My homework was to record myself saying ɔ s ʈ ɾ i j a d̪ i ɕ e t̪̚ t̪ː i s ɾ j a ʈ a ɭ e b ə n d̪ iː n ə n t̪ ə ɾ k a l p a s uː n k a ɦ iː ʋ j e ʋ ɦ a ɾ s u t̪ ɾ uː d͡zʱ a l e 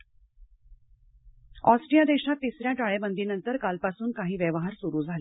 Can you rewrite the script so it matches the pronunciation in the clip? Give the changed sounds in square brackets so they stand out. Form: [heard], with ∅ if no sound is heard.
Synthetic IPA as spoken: ɔ s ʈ ɾ i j a d̪ [e] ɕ [a] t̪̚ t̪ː i s ɾ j a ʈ a ɭ e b ə n d̪ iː n ə n t̪ ə ɾ k a l p a s uː n k a ɦ iː ʋ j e ʋ ɦ a ɾ s u [∅] ɾ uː d͡zʱ a l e